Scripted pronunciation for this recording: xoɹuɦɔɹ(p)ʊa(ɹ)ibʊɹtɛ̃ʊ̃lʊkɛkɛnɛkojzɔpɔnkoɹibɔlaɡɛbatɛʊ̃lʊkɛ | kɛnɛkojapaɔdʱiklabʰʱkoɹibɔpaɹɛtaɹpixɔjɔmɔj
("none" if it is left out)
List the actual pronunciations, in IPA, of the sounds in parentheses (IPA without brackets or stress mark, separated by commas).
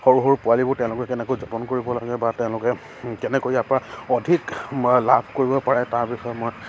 p, l